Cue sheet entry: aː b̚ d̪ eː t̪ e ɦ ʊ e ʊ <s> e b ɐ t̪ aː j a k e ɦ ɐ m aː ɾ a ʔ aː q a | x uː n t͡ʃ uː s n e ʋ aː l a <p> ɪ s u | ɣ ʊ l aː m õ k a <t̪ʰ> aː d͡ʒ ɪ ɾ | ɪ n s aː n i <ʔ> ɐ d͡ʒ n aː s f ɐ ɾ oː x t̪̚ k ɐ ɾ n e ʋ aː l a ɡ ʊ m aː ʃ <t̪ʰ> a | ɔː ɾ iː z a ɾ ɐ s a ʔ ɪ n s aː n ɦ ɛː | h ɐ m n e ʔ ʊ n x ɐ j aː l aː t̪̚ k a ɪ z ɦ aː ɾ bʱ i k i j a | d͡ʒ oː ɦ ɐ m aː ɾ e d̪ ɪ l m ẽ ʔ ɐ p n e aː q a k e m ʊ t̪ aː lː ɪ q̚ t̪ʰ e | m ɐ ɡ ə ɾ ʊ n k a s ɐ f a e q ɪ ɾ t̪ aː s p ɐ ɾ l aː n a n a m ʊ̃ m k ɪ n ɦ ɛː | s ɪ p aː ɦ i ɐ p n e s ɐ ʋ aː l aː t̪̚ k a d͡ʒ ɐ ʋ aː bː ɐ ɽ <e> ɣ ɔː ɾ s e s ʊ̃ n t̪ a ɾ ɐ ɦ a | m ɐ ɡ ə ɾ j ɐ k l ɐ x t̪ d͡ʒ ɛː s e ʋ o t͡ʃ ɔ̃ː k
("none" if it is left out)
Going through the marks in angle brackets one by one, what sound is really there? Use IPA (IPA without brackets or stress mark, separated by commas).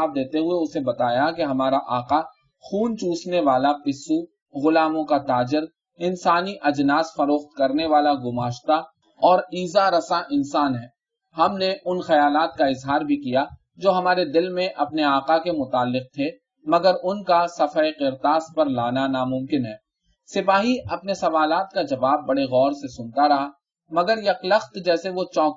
s, p, t̪, ʔ, t̪, e